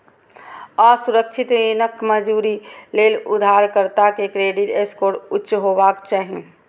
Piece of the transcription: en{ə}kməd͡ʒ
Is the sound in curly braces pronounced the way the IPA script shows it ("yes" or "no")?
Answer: yes